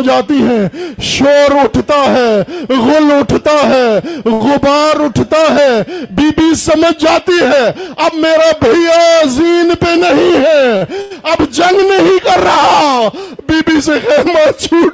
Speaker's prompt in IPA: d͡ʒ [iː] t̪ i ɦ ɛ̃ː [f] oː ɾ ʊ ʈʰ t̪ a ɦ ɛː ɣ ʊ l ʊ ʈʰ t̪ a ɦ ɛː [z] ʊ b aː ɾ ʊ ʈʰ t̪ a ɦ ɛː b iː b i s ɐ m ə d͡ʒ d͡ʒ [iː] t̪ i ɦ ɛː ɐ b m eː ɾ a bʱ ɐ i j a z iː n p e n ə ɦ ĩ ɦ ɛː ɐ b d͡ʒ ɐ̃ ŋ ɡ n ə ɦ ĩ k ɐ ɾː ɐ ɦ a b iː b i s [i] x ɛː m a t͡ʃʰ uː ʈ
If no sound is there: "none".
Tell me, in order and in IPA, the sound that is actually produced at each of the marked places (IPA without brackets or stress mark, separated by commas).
aː, ʃ, ɣ, aː, e